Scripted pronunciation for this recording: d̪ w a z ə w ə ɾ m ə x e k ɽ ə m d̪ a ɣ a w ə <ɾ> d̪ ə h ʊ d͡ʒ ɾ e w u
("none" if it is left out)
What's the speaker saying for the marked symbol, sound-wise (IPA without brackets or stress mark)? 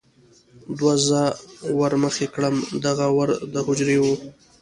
ɾ